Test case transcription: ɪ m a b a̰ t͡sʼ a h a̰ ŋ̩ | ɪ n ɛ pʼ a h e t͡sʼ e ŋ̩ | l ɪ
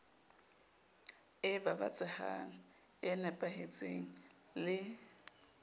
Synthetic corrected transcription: ɪ b a b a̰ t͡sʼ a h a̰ ŋ̩ | ɪ n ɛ pʼ a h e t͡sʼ e ŋ̩ | l ɪ